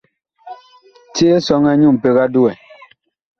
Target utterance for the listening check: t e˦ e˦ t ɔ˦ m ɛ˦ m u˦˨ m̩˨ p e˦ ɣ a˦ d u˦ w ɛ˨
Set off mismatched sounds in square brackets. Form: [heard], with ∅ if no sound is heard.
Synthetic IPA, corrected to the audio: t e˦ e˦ [s] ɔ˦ [ŋ] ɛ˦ [ɲ] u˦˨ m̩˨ p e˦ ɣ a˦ d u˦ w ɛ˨